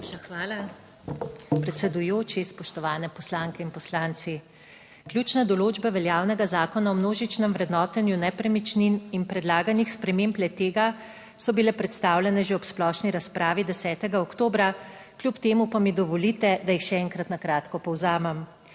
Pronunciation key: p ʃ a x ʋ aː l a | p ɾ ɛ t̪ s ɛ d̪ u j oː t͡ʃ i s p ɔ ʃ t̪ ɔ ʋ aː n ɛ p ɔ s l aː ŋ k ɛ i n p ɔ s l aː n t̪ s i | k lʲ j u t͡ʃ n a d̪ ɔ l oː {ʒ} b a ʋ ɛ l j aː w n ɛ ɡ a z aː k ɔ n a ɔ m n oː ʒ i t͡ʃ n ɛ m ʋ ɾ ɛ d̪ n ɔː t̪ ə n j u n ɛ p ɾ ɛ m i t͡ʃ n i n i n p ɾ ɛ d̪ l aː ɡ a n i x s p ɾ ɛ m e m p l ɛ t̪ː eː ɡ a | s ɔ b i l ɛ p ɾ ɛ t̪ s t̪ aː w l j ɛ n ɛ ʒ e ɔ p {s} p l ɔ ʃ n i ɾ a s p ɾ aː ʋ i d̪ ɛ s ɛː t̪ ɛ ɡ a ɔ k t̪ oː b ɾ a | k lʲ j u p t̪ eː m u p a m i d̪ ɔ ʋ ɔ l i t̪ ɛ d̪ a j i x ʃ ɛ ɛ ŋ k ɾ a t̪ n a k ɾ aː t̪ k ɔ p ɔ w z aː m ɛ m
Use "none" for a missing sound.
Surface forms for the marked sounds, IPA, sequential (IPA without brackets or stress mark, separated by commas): d͡ʒ, s